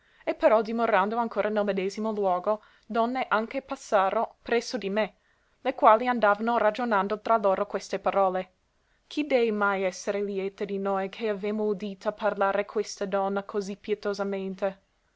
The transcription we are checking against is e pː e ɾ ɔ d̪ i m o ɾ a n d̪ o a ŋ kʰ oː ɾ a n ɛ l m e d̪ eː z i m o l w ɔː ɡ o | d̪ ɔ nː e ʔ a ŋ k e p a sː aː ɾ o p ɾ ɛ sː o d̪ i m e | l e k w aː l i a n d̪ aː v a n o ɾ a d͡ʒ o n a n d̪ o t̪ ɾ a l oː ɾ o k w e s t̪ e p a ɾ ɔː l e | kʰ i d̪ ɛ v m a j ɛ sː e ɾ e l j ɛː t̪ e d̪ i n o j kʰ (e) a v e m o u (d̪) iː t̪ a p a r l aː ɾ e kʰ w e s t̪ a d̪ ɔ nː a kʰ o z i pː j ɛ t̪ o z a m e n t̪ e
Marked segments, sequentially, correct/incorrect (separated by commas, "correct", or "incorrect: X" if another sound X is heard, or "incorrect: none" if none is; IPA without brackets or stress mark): correct, correct